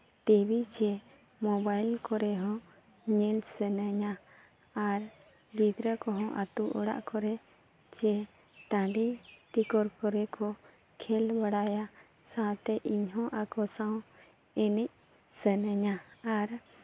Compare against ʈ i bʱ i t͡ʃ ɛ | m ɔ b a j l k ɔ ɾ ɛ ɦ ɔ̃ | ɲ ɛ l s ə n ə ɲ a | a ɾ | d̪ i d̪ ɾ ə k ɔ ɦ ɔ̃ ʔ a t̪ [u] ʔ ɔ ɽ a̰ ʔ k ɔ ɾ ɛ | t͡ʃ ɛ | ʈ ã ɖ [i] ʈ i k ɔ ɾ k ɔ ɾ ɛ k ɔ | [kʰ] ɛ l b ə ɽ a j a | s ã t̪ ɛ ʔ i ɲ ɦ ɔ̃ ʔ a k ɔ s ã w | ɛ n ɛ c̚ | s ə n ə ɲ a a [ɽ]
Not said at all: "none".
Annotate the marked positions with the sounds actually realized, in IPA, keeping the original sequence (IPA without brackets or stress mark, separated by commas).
u, i, kʰ, ɾ